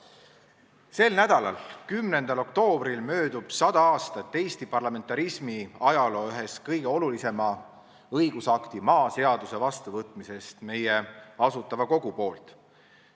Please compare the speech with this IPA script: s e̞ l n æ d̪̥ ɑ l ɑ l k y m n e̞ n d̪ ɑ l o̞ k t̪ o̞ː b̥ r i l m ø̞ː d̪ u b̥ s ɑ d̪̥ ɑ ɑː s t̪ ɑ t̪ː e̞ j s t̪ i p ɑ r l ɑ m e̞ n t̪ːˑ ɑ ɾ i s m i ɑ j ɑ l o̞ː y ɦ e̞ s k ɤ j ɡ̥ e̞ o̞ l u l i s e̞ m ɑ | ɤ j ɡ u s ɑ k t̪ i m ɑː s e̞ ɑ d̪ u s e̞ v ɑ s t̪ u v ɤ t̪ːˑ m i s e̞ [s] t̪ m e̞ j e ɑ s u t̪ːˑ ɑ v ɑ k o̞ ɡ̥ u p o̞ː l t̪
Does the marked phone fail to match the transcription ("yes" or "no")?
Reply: no